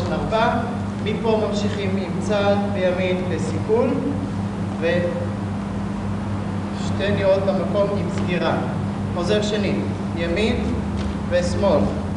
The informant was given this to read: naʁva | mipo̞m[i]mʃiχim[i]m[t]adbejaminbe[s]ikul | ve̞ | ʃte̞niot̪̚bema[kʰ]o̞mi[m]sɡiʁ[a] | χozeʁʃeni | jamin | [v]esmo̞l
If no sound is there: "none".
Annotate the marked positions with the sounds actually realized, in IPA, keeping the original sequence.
a, i, t͡s, s, k, m, a, v

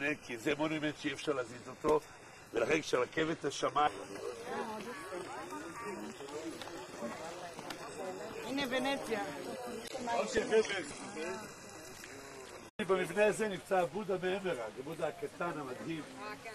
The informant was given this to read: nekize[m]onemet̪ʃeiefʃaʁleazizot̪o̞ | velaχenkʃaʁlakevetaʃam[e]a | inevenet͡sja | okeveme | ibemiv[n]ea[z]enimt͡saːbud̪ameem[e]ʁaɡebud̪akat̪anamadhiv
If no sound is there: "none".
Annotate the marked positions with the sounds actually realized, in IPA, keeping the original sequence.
m, a, n, z, e

